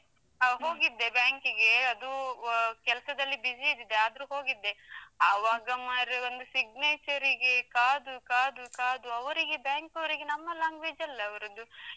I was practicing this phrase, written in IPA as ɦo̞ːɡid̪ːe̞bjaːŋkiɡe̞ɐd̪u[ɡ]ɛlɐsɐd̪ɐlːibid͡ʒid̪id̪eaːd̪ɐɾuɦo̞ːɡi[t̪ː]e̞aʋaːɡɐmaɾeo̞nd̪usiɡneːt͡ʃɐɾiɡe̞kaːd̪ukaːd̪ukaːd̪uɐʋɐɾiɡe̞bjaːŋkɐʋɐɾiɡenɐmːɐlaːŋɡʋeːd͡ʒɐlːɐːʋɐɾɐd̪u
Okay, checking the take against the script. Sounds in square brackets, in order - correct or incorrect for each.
incorrect: k, incorrect: d̪ː

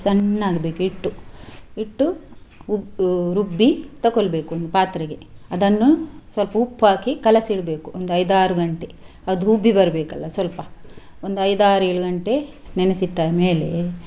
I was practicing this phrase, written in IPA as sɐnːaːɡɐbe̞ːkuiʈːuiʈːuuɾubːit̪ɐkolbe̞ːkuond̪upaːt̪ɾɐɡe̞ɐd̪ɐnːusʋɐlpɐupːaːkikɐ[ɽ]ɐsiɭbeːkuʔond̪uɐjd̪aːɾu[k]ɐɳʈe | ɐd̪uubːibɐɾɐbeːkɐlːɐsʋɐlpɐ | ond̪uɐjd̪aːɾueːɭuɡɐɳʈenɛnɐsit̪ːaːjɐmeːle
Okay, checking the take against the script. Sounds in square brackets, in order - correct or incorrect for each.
incorrect: l, incorrect: ɡ

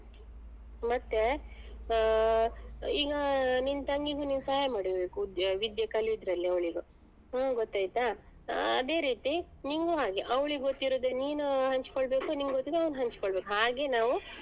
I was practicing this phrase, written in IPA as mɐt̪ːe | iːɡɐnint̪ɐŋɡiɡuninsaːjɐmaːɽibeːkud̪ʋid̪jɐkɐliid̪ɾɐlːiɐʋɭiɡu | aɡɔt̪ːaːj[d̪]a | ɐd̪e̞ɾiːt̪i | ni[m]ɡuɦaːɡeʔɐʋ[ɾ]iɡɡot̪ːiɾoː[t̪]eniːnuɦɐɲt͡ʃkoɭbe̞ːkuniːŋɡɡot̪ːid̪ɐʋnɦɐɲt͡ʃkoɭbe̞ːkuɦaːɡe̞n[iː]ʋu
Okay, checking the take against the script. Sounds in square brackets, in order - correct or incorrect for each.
incorrect: t̪, incorrect: ŋ, incorrect: ɭ, incorrect: d̪, incorrect: aː

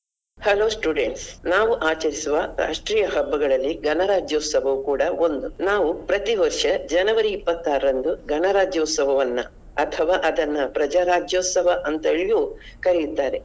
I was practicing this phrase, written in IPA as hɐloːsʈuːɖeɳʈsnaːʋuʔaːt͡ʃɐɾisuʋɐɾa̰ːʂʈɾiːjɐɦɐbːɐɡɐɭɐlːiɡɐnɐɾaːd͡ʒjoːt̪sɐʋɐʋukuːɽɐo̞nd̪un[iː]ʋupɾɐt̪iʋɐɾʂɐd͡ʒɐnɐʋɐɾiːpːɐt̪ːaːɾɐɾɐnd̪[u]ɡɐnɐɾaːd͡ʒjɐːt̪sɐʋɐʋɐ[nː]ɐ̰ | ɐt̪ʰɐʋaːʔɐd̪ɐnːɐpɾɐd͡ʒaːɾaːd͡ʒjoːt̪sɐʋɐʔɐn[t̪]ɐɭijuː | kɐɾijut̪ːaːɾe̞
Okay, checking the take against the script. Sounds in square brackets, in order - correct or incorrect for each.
incorrect: aː, correct, correct, correct

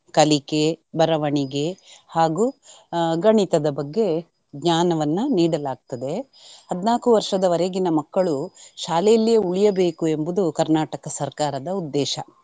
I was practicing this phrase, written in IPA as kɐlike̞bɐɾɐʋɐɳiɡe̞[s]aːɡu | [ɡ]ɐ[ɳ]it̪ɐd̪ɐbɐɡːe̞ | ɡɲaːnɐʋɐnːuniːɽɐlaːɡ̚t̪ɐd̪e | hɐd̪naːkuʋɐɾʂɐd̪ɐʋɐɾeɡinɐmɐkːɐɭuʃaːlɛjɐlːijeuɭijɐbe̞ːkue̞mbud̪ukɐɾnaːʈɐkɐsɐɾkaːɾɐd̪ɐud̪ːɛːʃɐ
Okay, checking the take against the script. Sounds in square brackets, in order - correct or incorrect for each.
incorrect: h, correct, correct

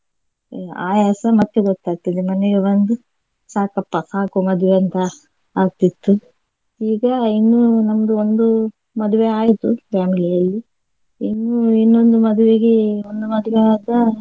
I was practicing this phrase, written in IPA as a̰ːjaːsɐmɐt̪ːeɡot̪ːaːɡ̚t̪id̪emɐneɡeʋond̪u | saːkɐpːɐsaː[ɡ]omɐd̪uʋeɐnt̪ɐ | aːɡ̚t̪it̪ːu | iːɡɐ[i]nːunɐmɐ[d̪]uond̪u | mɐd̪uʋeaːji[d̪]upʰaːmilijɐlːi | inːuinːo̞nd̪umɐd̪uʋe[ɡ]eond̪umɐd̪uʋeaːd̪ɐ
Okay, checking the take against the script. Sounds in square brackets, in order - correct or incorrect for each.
incorrect: k, correct, correct, incorrect: t̪, correct

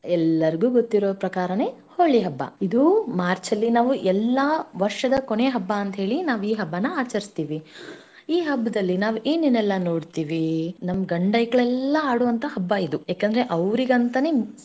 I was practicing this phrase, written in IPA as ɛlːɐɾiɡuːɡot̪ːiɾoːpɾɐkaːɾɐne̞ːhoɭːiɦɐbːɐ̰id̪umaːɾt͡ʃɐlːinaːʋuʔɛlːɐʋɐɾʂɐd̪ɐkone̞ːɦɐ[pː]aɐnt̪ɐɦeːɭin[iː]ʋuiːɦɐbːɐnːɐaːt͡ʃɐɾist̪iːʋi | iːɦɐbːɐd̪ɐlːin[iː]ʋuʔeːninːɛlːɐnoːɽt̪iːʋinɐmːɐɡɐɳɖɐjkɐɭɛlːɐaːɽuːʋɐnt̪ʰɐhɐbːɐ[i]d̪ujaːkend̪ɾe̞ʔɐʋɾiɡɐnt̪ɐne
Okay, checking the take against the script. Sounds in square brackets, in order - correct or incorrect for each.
incorrect: bː, incorrect: aː, incorrect: aː, correct

